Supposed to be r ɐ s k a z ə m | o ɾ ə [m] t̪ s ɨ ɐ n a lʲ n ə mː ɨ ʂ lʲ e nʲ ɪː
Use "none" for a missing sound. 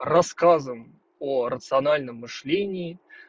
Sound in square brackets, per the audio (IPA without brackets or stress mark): none